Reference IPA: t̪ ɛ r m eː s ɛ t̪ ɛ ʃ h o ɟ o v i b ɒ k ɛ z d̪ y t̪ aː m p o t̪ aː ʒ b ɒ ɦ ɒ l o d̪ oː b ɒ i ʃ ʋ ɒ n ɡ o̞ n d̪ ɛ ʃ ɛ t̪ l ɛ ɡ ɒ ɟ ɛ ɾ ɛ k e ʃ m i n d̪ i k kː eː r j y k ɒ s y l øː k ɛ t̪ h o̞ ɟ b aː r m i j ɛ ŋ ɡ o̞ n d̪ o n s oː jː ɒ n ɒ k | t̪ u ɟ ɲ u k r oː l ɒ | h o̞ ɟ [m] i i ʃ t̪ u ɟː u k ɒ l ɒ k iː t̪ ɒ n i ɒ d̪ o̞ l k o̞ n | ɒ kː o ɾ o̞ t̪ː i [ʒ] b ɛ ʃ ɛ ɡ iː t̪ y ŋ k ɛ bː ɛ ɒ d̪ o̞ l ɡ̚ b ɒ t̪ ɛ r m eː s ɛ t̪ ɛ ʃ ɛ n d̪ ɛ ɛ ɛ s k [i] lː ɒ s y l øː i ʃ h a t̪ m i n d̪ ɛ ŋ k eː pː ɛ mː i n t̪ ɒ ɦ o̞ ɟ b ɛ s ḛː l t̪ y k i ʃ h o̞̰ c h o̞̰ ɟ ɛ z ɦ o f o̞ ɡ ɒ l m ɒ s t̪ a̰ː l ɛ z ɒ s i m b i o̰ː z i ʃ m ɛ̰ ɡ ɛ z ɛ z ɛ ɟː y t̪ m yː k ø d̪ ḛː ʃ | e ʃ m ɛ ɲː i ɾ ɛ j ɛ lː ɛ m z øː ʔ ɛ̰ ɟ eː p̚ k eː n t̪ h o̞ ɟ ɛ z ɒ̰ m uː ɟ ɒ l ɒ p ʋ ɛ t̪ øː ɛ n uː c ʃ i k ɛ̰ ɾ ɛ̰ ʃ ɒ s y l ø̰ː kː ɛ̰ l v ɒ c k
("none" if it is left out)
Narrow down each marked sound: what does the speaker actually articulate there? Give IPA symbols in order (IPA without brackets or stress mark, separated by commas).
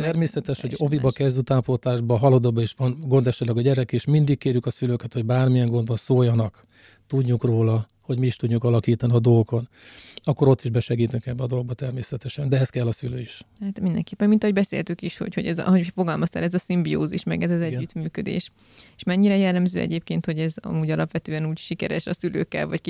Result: m, ʒ, ɛ